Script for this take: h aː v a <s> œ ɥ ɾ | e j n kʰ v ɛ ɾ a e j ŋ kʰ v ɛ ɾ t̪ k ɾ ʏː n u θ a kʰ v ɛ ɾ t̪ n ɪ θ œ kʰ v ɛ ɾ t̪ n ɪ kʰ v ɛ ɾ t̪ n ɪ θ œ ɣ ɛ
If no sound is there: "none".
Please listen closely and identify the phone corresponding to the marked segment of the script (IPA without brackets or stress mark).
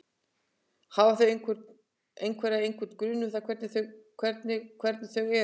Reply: θ